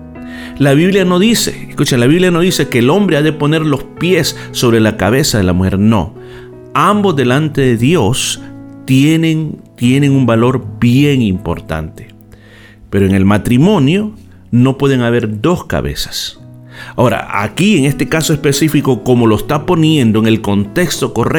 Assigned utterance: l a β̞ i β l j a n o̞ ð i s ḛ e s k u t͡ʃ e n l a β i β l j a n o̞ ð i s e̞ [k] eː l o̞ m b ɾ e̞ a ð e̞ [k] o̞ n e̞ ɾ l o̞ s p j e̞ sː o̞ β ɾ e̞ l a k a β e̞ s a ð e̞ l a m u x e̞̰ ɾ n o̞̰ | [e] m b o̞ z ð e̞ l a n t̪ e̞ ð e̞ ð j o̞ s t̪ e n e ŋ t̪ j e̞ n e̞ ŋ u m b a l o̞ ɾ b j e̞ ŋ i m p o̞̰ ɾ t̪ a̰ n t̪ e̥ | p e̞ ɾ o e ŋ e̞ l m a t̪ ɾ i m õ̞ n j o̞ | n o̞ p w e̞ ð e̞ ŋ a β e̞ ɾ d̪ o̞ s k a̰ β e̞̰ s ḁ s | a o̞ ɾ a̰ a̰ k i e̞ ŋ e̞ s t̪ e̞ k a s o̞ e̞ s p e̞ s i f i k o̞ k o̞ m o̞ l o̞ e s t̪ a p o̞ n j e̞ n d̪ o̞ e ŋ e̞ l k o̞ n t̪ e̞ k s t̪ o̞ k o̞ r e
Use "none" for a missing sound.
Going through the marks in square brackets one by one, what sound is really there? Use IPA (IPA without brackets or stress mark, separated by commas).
k, p, a